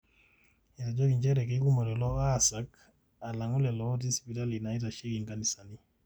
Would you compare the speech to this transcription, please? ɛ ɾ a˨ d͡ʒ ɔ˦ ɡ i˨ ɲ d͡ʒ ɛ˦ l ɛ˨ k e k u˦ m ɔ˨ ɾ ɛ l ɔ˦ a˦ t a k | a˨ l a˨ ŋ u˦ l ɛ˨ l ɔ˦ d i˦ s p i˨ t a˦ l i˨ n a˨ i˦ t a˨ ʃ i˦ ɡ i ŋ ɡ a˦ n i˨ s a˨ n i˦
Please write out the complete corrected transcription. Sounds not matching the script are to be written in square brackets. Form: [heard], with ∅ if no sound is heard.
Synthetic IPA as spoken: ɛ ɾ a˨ d͡ʒ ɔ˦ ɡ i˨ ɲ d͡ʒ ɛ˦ [ɾ] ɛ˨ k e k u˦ m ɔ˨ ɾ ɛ l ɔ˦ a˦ [s] a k | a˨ l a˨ ŋ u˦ l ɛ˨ l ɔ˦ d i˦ s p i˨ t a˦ l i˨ n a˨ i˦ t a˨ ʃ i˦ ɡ i ŋ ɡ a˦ n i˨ s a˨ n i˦